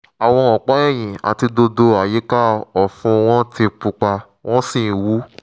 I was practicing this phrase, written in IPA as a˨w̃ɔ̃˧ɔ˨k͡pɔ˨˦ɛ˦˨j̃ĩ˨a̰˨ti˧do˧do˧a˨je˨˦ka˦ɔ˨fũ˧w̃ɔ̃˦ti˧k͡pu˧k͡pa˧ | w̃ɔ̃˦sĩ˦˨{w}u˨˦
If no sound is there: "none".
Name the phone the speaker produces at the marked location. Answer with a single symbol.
w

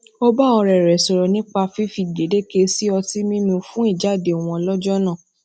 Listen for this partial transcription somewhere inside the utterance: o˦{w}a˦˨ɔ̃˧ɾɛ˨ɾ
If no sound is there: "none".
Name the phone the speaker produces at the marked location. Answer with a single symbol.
b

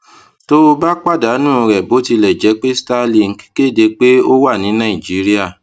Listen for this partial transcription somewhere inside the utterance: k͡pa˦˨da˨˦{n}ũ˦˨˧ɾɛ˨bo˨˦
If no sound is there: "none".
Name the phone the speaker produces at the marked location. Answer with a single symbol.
n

